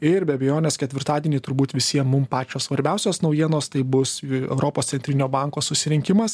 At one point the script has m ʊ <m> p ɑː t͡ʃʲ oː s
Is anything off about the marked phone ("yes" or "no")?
no